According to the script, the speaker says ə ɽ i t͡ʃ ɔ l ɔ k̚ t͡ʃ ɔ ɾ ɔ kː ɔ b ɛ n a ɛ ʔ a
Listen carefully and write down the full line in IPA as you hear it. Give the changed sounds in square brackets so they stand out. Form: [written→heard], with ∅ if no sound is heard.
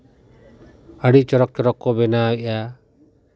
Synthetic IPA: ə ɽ i t͡ʃ ɔ [l→ɾ] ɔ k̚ t͡ʃ ɔ ɾ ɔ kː ɔ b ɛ n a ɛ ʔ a